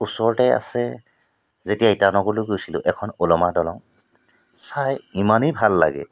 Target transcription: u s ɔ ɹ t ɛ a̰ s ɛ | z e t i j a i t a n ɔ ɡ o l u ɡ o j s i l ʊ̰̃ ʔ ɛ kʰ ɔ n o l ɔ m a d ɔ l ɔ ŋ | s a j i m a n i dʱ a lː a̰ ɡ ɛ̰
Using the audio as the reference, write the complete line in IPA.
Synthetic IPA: u s ɔ ɹ t ɛ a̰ s ɛ | z e t i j a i t a n ɔ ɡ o l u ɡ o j s i l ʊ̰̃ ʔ ɛ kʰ ɔ n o l ɔ m a d ɔ l ɔ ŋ | s a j i m a n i bʱ a lː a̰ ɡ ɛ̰